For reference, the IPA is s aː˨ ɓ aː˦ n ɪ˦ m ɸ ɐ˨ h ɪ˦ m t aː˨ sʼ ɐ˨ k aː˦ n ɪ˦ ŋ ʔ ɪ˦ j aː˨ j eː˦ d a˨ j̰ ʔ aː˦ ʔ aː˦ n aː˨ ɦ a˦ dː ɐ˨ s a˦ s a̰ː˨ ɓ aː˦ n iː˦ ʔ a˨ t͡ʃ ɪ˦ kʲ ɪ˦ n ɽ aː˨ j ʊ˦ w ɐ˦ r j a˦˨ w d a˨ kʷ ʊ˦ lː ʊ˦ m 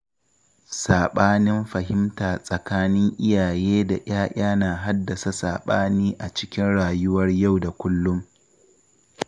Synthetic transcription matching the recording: s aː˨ ɓ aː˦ n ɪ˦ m ɸ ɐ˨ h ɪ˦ m t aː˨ sʼ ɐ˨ k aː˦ n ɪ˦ ŋ ʔ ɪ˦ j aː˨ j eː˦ d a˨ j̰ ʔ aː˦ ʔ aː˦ n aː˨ ɦ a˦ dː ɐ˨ s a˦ s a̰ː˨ ɓ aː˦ n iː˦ ʔ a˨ t͡ʃ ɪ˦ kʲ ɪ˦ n ɽ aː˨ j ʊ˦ w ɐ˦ r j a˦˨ w d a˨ kʷ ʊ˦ lː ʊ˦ m